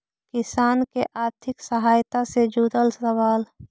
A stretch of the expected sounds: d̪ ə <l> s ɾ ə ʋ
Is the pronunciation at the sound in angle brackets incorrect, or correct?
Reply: correct